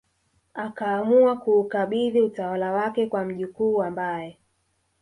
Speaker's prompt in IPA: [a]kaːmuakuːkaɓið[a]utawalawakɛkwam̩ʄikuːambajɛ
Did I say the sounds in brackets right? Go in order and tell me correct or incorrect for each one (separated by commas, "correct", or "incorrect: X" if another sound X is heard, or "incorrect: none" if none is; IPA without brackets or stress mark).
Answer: correct, incorrect: i